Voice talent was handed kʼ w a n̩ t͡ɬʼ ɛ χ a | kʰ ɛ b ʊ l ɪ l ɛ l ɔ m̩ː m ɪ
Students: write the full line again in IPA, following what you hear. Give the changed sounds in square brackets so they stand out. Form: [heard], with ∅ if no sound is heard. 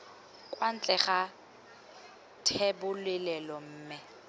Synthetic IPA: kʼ w a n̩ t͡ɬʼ ɛ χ a | [tʰ] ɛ b ʊ l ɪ l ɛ l ɔ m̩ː m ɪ